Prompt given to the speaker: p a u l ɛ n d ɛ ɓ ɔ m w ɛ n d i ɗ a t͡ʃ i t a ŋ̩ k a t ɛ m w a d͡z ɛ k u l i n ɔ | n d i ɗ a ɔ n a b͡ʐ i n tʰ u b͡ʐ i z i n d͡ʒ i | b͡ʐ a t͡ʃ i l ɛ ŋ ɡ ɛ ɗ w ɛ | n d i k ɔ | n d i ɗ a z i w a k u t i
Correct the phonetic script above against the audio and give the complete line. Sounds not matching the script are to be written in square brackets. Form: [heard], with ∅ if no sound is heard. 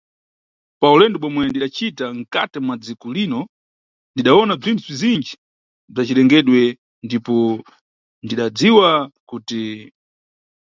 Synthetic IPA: p a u l ɛ n d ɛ ɓ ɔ m w ɛ n d i ɗ a t͡ʃ i t a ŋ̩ k a t ɛ m w a d͡z [i] k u l i n ɔ | n d i ɗ a ɔ n a b͡ʐ i n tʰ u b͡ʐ i z i n d͡ʒ i | b͡ʐ a t͡ʃ i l ɛ ŋ ɡ ɛ ɗ w ɛ | n d i [p] ɔ | n d i ɗ a [d͡z] i w a k u t i